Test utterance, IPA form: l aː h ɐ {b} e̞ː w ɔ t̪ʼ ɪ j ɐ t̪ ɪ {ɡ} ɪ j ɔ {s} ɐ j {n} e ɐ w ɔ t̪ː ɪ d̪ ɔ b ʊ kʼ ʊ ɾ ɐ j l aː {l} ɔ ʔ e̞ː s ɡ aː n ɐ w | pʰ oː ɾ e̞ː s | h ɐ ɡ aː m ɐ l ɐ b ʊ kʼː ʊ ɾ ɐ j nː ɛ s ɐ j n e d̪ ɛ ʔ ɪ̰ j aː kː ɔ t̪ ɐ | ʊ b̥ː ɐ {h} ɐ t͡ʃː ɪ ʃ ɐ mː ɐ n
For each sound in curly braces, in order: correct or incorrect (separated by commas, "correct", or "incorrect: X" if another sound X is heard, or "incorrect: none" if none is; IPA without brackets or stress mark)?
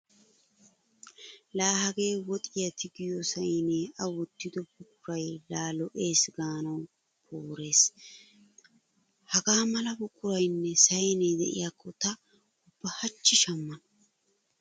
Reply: incorrect: ɡ, correct, correct, correct, correct, correct